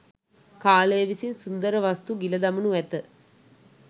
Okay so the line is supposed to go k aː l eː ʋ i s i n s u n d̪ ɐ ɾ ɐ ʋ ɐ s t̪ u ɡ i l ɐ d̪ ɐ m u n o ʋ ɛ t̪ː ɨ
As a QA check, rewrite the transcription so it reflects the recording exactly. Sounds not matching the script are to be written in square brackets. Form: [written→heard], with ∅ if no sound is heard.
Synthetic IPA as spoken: k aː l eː ʋ i s i n s u n d̪ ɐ ɾ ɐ ʋ ɐ s t̪ u ɡ i l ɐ d̪ ɐ m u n [o→u] ʋ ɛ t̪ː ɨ